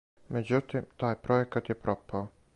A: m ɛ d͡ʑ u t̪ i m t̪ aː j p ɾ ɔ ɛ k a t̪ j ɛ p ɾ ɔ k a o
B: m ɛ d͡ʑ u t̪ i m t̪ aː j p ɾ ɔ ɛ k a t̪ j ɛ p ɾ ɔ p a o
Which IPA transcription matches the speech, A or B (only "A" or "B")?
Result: B